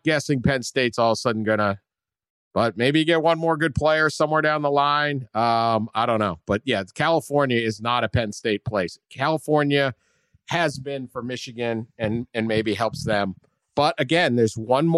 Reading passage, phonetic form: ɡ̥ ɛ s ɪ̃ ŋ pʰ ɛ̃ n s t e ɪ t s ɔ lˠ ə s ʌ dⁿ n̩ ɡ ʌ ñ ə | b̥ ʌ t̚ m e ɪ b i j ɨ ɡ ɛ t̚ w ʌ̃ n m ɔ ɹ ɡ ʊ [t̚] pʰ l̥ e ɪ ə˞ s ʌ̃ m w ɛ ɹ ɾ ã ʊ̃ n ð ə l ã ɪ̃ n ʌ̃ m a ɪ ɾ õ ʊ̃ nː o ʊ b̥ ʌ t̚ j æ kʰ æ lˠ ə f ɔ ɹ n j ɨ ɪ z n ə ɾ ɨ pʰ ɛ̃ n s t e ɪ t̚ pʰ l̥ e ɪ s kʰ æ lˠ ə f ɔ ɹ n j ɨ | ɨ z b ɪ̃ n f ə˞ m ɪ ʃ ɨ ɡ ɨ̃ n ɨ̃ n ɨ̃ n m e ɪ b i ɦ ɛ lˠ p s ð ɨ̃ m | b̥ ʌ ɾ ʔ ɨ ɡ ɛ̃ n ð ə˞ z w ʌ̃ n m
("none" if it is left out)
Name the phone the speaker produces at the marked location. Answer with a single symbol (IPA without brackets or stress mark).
d̚